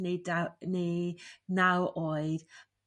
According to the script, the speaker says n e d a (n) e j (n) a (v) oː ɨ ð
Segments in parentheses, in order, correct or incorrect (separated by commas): correct, correct, incorrect